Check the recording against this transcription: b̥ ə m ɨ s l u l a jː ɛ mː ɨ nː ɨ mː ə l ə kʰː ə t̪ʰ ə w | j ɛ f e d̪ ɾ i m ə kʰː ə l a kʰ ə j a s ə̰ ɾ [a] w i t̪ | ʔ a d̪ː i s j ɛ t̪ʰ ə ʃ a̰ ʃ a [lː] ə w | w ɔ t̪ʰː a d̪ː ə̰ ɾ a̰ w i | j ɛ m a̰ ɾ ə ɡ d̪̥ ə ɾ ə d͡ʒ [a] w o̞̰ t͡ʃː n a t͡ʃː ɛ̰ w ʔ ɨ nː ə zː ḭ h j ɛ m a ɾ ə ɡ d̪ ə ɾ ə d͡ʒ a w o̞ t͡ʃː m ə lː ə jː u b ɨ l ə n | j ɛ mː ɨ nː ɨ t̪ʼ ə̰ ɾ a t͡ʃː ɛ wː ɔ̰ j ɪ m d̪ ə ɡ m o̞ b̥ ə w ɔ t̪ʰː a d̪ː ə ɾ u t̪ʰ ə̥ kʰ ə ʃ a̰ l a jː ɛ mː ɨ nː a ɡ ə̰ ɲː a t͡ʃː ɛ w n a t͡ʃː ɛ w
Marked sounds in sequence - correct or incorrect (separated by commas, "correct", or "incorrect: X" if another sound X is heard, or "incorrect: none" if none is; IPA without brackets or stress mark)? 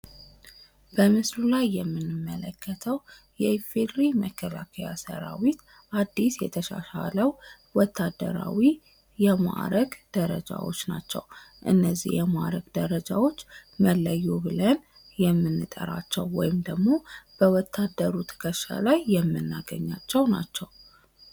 correct, incorrect: l, correct